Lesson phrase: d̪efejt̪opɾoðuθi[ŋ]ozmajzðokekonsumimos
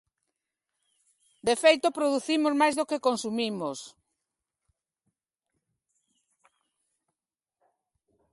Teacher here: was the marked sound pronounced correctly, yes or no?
no